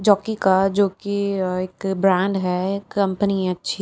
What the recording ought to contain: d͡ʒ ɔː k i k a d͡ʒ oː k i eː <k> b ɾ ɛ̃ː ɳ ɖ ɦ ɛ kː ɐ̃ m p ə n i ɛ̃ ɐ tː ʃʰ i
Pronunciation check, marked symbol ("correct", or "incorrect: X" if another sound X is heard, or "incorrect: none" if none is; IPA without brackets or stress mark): correct